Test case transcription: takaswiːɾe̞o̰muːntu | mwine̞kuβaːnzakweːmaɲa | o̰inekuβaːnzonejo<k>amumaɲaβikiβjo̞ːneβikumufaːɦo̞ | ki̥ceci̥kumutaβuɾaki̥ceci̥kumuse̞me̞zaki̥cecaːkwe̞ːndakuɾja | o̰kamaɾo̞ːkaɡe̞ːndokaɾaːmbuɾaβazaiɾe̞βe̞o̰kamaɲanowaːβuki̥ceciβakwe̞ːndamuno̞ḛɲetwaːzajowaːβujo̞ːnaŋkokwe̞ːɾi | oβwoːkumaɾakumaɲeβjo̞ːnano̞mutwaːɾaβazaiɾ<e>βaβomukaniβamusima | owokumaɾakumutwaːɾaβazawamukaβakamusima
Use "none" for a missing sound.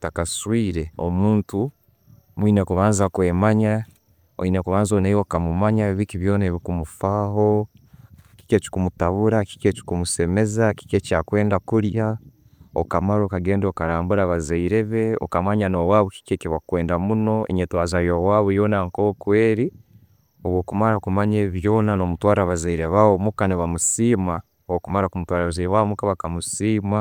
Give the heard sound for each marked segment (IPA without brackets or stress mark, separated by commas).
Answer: k, e